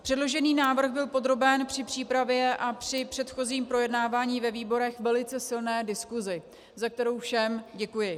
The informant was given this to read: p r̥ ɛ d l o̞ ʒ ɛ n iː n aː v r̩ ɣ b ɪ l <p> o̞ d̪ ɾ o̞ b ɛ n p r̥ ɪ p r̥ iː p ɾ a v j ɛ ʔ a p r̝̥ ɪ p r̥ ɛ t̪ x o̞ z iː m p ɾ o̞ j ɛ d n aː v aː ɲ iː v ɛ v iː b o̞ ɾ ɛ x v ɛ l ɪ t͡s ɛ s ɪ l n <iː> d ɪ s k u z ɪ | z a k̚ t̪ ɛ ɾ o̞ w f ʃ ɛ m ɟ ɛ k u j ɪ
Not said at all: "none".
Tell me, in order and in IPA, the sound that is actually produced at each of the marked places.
p, ɛː

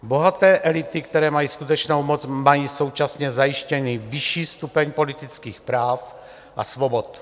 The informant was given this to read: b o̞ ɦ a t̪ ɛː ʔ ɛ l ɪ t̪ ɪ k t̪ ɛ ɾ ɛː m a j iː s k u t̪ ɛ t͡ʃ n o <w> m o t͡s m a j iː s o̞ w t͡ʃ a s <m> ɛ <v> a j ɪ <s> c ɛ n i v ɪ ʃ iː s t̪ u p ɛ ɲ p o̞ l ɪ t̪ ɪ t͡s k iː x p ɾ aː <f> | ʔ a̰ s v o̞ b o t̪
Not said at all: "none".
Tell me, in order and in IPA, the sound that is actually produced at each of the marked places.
w, ɲ, z, ʃ, f

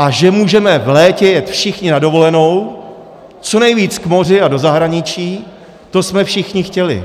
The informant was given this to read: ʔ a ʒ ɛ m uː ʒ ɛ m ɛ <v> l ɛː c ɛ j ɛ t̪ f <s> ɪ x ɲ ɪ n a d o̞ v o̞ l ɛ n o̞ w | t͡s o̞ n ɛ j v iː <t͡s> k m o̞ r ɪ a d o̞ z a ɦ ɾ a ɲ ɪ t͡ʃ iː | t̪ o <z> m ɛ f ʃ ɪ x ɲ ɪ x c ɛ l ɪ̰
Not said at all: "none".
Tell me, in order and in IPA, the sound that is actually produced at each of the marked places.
v, ʃ, t͡s, s

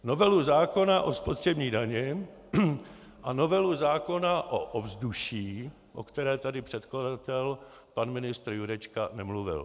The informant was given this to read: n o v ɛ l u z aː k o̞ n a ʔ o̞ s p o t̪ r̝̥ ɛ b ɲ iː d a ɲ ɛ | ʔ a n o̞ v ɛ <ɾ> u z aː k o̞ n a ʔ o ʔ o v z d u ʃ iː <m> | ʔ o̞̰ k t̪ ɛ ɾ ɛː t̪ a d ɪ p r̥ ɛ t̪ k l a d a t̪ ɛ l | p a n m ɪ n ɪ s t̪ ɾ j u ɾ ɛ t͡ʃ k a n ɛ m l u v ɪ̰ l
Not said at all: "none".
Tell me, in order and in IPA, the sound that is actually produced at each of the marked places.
l, none

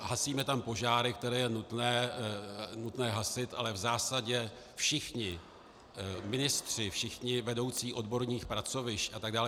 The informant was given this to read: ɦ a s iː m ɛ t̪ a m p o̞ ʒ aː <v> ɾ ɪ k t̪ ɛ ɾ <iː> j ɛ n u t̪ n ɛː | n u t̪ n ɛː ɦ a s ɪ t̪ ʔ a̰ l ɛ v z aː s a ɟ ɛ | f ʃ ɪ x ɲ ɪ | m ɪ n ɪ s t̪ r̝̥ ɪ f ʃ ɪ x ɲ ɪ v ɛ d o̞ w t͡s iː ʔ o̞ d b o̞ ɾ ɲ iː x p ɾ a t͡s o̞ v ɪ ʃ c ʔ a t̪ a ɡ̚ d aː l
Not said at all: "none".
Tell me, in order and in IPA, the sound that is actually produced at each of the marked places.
none, ɛː

